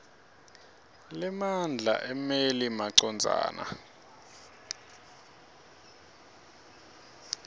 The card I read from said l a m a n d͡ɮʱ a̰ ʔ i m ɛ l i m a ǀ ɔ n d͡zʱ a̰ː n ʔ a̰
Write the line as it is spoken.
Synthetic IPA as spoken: l ɛ m a n d͡ɮʱ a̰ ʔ ɛ m e l i m a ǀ ɔ n d͡zʱ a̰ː n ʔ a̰